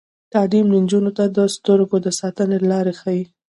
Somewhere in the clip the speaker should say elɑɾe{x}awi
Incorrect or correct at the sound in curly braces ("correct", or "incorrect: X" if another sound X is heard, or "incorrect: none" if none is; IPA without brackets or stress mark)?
correct